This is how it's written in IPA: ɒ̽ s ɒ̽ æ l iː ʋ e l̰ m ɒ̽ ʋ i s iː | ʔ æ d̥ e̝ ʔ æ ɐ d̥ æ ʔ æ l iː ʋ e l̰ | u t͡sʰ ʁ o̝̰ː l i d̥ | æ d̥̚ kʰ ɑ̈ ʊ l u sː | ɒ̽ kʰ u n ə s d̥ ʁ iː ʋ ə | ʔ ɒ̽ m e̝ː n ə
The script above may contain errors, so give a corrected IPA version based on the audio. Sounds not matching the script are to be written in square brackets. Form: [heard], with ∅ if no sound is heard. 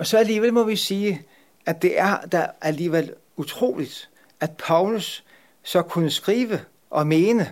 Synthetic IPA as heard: ɒ̽ s ɒ̽ æ l iː ʋ e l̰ m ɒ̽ ʋ i s iː | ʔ æ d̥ e̝ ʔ æ ɐ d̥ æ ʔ æ l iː ʋ e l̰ | u t͡sʰ ʁ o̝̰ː l i d̥ | æ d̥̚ [pʰ] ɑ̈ ʊ l u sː | ɒ̽ kʰ u n ə s [ɡ̥] ʁ iː ʋ ə | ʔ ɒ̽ m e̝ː n ə